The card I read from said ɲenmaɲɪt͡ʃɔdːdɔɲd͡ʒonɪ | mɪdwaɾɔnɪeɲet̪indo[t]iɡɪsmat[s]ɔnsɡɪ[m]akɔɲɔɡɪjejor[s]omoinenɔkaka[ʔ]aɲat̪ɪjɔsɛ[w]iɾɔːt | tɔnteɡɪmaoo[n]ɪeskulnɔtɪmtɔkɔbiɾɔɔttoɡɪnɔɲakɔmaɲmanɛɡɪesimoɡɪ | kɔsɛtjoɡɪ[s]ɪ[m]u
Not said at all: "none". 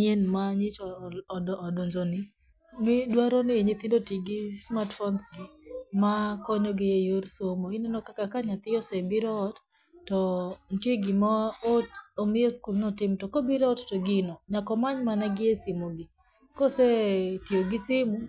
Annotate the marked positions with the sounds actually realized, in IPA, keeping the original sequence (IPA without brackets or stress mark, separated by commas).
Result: t, f, m, s, k, b, m, s, m